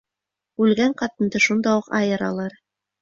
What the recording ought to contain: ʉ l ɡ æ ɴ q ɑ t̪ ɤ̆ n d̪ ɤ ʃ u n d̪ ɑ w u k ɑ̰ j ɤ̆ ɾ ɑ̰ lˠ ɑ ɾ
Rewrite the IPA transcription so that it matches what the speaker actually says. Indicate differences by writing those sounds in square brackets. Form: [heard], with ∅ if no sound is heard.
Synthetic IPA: ʉ l ɡ æ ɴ q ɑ t̪ ɤ̆ n d̪ ɤ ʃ u n d̪ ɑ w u [q] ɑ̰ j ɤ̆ ɾ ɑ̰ lˠ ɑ ɾ